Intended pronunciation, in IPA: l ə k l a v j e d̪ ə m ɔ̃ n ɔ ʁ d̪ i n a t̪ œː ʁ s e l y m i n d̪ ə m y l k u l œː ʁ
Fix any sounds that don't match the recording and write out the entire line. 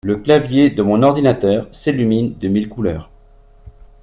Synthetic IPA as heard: l ə k l a v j e d̪ ə m ɔ̃ n ɔ ʁ d̪ i n a t̪ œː ʁ s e l y m i n d̪ ə m i l k u l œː ʁ